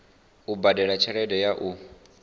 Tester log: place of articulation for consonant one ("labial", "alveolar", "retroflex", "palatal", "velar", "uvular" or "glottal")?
labial